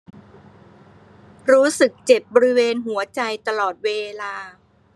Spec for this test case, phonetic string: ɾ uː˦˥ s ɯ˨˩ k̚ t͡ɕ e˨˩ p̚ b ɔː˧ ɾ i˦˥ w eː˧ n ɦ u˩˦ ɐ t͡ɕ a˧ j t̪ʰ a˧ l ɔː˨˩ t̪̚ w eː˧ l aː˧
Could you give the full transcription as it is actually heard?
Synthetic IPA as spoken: ɾ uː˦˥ s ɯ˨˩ k̚ t͡ɕ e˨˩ p̚ b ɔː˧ ɾ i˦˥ w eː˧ n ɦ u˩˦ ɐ t͡ɕ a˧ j t̪ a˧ l ɔː˨˩ t̪̚ w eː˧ l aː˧